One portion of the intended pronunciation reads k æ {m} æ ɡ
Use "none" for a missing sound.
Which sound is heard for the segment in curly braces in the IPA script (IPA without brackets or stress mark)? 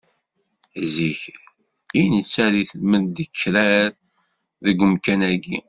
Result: n